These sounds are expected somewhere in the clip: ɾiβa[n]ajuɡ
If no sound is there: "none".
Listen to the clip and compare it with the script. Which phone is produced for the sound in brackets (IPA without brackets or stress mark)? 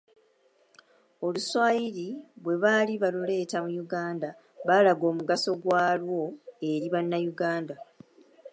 nː